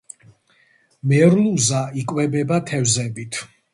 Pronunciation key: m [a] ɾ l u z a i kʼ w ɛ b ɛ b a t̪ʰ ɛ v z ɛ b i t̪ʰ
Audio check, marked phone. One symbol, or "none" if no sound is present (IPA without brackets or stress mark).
ɛ